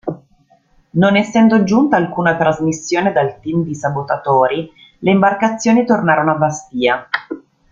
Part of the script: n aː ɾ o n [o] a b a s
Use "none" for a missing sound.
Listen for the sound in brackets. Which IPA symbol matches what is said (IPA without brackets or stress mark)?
o